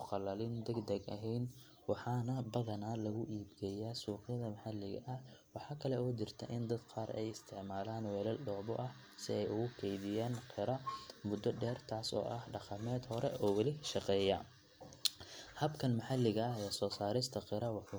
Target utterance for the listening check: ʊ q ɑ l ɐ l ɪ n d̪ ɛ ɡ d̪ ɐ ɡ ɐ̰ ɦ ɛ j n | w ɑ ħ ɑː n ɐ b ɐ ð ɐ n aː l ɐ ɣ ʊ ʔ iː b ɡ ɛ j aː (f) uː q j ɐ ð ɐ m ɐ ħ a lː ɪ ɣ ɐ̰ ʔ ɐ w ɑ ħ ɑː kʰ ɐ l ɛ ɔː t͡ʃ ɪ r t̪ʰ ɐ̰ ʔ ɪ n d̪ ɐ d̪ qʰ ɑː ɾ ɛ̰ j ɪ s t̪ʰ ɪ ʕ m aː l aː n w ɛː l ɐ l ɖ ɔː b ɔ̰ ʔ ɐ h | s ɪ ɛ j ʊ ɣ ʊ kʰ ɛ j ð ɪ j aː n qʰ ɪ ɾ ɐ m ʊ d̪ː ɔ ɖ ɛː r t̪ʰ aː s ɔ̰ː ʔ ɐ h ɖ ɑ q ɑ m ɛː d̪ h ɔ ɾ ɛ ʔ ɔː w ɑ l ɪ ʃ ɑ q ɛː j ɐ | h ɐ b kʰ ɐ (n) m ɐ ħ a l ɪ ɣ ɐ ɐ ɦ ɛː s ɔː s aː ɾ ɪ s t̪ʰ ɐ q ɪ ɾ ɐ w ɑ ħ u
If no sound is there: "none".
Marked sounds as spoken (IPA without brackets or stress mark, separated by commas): s, n